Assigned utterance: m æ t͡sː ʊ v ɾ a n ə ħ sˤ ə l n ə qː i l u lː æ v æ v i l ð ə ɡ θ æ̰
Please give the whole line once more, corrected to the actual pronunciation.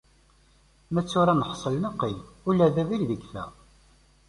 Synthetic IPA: m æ t͡sː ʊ ɾ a n ə ħ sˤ ə l n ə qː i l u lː æ ð æ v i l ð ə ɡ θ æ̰

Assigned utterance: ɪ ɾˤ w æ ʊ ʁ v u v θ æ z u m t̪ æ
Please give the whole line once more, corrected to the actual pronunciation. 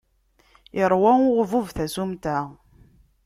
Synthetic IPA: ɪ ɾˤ w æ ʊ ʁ v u v θ æ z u m t̪ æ

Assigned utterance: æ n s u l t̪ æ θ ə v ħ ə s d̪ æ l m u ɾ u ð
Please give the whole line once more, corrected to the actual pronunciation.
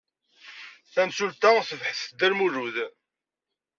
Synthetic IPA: æ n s u l t̪ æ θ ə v ħ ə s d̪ æ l m u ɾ u ð

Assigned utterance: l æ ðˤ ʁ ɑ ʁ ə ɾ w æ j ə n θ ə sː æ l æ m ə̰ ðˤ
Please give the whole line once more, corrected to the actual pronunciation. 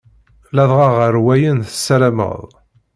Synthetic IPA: l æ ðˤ ʁ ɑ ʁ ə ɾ w æ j ə n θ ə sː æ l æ m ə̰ ðˤ

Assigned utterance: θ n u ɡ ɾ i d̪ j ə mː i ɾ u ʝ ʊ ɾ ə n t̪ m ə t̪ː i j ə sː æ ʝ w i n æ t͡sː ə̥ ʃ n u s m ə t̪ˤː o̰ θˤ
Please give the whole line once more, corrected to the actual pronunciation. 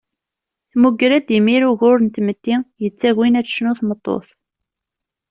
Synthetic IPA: θ m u ɡ ɾ æ d̪ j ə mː i ɾ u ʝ ʊ ɾ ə n t̪ m ə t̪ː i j ə t͡sː æ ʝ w i n æ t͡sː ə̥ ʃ n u θ m ə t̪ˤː o̰ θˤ

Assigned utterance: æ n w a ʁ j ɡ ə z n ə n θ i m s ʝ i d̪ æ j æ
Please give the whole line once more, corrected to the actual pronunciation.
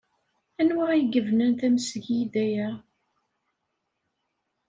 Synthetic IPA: æ n w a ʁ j ɡ ə v n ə n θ æ m s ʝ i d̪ æ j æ

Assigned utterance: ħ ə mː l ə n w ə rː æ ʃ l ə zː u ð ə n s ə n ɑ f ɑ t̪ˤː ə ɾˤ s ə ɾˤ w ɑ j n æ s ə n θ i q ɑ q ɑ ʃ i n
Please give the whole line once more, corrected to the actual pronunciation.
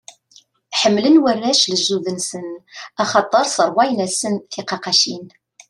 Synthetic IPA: ħ ə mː l ə n w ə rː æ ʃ l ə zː u ð ə n s ə n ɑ χ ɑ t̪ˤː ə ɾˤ s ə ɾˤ w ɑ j n æ s ə n θ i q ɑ q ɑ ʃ i n

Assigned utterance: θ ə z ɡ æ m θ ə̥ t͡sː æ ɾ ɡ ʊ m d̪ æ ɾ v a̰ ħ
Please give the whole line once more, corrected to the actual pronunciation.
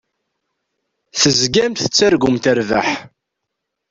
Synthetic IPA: θ ə z ɡ æ m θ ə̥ t͡sː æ ɾ ɡ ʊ m t̪ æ ɾ v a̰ ħ

